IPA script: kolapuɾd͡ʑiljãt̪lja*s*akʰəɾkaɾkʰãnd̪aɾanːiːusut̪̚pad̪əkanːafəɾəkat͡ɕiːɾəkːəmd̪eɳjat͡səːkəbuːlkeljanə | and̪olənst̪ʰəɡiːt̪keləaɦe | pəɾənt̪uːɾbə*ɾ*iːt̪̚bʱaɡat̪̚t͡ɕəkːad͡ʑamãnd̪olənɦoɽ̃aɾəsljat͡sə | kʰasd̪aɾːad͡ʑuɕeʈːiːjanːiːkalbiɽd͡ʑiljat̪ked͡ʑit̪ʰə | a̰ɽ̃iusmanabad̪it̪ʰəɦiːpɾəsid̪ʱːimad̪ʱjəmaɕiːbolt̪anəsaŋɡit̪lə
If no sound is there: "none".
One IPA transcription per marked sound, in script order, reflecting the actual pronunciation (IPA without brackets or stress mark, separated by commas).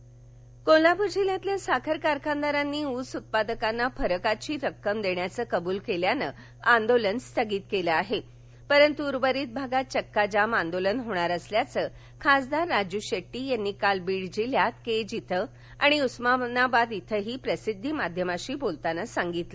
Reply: s, ɾ